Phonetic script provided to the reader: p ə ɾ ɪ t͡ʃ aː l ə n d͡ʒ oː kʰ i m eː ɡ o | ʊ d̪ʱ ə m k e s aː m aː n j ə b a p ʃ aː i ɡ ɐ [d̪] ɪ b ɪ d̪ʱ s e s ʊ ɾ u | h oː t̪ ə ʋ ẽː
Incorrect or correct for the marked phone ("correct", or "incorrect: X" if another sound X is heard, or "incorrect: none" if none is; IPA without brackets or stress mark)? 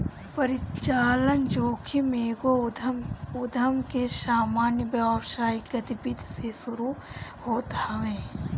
incorrect: t̪